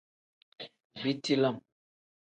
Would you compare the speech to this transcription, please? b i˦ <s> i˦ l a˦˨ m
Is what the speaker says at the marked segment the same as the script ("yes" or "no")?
no